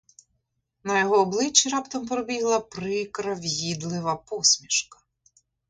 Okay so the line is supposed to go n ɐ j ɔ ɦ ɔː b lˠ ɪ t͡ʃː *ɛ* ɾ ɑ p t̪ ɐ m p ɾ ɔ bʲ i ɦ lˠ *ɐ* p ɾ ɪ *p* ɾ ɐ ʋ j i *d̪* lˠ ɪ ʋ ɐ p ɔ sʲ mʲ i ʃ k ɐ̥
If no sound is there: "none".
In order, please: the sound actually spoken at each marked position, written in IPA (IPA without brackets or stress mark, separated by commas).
i, ɐ, k, d̪